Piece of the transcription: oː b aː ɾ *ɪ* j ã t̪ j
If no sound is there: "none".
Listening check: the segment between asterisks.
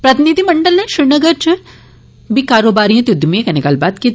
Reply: i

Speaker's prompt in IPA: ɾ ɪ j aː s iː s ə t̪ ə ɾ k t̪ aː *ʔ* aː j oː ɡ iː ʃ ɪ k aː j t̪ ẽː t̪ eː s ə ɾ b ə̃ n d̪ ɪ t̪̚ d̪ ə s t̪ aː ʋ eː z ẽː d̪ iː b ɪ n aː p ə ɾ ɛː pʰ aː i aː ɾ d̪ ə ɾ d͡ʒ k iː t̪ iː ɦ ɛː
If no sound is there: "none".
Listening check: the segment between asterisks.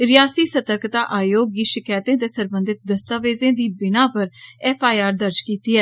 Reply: ʔ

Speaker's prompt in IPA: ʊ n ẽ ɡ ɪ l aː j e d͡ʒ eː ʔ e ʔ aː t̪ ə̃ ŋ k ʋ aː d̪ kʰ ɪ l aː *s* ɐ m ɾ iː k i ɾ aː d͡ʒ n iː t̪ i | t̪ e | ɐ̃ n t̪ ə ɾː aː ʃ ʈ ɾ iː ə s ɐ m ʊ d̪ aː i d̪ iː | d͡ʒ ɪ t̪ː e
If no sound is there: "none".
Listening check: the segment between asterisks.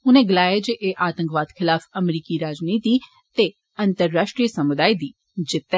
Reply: f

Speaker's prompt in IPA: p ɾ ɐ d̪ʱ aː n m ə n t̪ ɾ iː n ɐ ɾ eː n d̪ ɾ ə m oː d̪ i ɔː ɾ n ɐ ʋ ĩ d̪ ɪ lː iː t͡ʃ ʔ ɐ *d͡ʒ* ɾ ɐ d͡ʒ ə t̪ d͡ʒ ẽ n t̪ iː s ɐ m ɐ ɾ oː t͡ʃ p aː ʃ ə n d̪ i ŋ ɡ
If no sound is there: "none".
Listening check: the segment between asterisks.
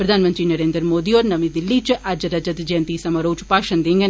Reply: d͡ʒ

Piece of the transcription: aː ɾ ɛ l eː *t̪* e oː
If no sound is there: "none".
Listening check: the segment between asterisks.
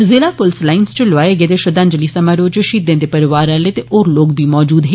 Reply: t̪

